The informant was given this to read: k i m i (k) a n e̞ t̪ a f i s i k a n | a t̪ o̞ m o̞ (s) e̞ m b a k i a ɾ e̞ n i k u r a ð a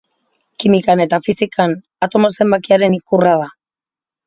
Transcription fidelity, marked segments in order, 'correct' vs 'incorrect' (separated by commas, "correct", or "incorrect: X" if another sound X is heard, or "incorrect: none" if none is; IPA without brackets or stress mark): correct, correct